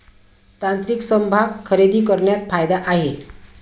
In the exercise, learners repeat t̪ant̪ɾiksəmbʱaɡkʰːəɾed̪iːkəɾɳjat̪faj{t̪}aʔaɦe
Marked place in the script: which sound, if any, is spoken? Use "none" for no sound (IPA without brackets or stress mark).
d̪